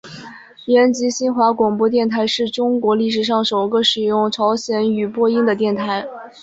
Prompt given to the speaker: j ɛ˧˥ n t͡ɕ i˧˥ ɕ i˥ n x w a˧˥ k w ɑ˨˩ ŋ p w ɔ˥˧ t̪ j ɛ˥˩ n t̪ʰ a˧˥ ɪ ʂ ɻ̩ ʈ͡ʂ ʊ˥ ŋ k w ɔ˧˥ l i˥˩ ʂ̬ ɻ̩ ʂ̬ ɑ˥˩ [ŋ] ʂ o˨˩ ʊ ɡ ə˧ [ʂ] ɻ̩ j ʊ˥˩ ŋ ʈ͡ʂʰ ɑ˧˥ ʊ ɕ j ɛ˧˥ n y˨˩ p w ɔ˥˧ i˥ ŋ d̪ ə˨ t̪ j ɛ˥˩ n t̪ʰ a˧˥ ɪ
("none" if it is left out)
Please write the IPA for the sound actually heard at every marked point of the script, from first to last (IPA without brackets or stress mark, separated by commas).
ŋ, ʂ